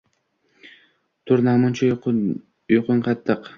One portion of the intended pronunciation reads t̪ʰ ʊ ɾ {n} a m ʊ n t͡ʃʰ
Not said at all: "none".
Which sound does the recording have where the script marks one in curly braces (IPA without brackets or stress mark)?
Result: n